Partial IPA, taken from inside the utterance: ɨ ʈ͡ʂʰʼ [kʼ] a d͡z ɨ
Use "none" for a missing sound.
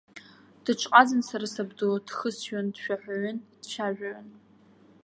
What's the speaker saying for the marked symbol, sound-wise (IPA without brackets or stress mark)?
qʼ